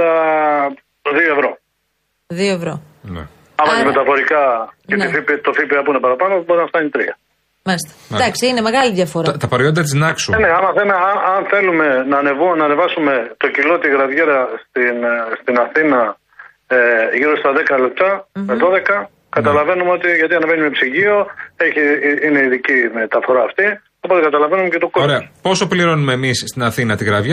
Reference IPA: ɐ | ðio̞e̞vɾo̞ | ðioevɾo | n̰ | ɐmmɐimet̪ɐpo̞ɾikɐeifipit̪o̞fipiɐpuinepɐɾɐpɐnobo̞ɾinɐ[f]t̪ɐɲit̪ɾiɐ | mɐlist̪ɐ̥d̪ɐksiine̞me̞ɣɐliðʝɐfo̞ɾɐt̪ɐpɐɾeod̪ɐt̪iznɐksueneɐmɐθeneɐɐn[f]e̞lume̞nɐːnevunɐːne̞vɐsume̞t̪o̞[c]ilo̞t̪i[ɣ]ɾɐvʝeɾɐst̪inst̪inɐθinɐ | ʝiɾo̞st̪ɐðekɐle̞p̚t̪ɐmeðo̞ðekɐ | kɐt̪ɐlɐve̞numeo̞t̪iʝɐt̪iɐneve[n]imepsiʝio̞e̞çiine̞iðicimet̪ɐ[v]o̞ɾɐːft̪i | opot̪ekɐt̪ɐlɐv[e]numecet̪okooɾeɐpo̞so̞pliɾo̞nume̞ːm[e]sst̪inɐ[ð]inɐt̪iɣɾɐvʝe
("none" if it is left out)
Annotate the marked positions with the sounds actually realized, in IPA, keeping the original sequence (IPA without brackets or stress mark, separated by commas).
f, θ, c, ɣ, n, f, e, i, θ